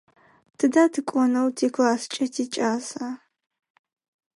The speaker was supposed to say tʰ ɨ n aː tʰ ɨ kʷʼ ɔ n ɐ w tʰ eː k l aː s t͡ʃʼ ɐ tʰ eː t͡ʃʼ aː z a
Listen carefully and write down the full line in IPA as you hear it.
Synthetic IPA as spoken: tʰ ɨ d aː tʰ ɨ kʷʼ ɔ n ɐ w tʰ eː k l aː s t͡ʃʼ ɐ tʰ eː t͡ʃʼ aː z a